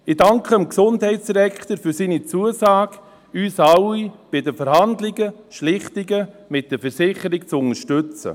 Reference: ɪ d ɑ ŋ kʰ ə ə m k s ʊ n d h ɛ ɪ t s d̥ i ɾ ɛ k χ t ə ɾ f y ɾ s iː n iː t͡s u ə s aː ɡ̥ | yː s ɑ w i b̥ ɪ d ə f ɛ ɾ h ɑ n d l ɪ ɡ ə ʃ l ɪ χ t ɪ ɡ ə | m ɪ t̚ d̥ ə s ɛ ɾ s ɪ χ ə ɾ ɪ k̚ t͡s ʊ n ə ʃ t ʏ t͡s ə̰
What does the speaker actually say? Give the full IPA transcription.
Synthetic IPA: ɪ d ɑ ŋ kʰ ə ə m k s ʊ n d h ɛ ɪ t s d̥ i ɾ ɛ k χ t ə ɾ f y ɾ s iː n i t͡s u ə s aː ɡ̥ | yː s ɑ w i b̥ ɪ d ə f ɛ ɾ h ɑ n d l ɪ ɡ ə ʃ l ɪ χ t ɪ ɡ ə | m ɪ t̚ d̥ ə f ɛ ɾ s ɪ χ ə ɾ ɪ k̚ t͡s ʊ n ə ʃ t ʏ t͡s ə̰